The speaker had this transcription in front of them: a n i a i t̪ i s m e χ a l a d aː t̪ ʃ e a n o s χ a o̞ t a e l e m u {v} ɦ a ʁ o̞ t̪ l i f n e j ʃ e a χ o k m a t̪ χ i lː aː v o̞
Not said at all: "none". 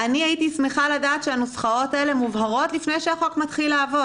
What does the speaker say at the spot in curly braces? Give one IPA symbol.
v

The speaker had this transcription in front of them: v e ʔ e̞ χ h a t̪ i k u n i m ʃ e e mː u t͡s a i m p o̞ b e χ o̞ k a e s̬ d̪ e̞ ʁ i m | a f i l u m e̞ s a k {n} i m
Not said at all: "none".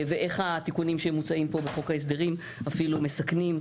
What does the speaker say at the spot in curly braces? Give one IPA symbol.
n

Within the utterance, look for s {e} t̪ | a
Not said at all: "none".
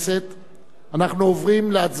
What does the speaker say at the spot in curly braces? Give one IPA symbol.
e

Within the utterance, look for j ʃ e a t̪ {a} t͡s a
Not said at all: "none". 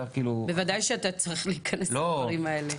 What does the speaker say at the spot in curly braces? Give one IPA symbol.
a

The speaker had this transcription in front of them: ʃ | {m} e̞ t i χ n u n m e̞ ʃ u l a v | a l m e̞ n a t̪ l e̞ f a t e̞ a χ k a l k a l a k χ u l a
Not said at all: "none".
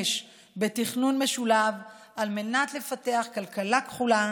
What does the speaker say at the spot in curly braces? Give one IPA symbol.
b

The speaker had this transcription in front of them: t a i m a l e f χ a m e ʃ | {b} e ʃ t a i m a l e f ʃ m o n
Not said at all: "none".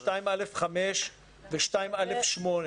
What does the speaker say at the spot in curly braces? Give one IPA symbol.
v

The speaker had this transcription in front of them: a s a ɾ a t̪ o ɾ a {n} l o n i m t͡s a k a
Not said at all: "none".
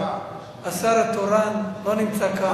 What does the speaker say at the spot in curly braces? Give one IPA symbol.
n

